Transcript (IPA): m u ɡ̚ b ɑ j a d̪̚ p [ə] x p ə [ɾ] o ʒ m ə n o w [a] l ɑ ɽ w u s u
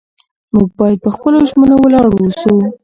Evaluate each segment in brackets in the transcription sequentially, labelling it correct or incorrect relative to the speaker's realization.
correct, incorrect, incorrect

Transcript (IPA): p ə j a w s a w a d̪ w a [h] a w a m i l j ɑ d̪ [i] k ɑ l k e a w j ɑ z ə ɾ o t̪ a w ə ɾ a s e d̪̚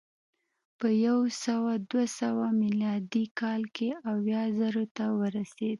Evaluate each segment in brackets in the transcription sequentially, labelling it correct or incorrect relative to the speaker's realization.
incorrect, correct

